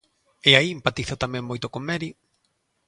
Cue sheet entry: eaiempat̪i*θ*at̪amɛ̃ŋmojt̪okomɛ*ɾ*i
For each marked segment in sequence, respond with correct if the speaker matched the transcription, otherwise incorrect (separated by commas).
correct, correct